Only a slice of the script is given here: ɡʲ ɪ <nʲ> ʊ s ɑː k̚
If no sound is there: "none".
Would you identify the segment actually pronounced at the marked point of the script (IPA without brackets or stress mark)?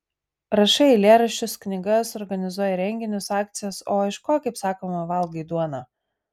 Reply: nʲ